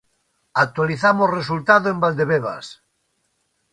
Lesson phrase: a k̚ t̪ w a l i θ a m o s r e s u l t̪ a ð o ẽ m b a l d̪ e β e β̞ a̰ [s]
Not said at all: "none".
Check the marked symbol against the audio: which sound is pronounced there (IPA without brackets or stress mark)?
s